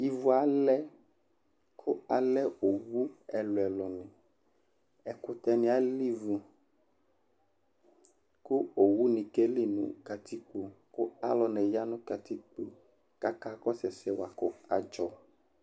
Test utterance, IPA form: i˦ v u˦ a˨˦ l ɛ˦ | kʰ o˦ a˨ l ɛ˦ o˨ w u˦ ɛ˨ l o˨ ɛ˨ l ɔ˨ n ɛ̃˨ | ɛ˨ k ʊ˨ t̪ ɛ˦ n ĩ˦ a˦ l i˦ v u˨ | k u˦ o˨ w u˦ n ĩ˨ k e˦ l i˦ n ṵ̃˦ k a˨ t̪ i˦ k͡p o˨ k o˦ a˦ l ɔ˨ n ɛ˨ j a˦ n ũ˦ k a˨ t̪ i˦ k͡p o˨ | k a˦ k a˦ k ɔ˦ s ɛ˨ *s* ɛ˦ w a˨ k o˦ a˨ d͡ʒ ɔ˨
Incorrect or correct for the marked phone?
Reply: correct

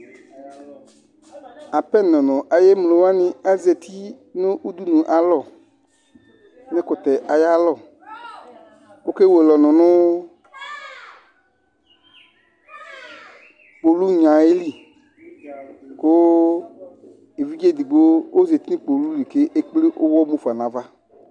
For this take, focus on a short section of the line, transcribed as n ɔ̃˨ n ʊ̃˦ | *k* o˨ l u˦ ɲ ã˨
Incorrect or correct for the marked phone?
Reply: incorrect: k͡p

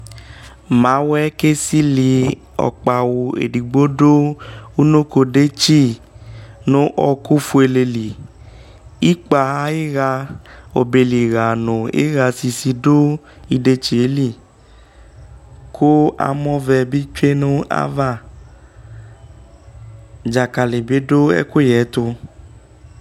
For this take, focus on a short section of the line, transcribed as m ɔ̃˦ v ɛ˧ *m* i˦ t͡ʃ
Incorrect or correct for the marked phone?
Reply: incorrect: b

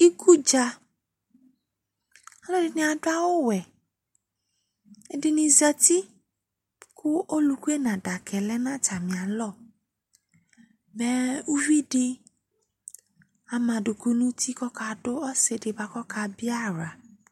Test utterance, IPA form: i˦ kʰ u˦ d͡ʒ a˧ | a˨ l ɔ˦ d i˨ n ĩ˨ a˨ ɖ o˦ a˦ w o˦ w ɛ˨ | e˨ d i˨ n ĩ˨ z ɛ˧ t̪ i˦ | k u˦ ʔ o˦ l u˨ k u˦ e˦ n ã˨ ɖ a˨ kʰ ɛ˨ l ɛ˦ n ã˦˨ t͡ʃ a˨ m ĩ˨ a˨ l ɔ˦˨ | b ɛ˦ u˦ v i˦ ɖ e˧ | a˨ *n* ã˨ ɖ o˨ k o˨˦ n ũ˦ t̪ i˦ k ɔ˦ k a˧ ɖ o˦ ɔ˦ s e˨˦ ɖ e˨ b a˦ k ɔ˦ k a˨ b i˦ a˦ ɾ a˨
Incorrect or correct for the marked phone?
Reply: incorrect: m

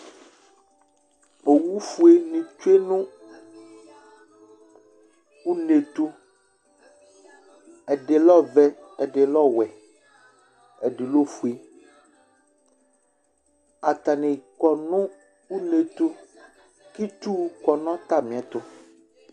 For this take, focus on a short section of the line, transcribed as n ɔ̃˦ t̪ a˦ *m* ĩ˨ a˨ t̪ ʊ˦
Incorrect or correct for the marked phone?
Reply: correct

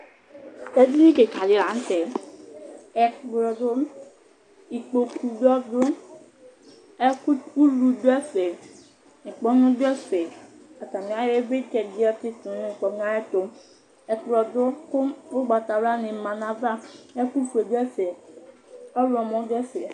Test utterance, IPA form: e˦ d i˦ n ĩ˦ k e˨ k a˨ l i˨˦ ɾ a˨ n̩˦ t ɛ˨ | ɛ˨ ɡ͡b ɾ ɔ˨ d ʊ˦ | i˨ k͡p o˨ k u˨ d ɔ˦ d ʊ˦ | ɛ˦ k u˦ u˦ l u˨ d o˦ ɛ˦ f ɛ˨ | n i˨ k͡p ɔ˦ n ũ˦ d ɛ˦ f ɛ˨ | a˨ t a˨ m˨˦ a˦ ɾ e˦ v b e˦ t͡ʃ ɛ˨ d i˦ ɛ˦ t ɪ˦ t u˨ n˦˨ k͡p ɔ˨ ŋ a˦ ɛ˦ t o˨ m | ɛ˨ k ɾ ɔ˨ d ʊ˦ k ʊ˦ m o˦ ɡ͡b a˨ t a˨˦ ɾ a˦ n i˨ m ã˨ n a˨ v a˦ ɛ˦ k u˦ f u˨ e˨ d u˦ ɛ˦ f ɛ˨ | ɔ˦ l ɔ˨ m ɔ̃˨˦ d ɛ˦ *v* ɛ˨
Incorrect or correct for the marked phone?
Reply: incorrect: f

